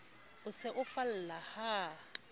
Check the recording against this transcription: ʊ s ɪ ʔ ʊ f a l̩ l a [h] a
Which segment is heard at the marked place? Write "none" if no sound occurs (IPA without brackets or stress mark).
h